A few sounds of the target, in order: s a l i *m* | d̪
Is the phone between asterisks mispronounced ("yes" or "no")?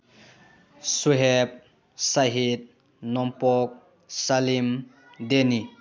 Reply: no